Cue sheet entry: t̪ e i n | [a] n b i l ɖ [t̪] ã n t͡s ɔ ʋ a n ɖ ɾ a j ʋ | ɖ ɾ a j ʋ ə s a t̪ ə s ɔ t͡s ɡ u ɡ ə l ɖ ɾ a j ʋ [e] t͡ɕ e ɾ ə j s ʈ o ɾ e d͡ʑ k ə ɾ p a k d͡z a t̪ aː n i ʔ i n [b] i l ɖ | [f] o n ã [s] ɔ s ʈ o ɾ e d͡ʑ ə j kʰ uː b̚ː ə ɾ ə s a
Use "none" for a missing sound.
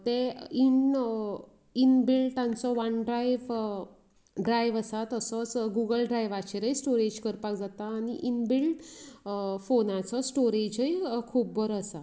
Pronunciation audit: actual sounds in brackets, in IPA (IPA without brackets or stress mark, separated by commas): i, t̪, a, b, f, t͡s